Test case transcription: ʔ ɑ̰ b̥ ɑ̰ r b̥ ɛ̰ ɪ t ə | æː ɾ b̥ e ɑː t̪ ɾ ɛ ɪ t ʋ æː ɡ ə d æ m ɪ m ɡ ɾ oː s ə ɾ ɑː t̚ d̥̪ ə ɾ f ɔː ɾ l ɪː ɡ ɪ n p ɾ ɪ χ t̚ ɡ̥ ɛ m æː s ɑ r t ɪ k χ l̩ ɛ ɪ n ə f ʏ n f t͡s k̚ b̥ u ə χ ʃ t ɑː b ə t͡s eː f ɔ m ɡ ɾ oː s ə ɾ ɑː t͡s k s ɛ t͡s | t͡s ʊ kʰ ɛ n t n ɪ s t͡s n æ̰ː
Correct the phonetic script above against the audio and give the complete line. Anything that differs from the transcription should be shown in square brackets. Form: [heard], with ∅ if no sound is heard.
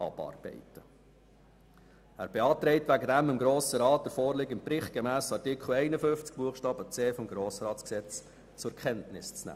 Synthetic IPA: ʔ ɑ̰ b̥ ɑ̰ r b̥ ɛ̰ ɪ t ə | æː ɾ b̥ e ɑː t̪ ɾ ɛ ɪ t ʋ [æ] ɡ ə d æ m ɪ m ɡ ɾ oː s ə ɾ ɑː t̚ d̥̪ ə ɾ f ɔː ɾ l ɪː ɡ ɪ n p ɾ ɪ χ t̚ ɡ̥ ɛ m æː s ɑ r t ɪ k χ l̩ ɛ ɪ n ə f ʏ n f t͡s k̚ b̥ u ə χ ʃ t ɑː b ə t͡s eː f ɔ m ɡ ɾ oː s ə ɾ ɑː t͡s k s ɛ t͡s | t͡s ʊ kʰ ɛ n t n ɪ s t͡s n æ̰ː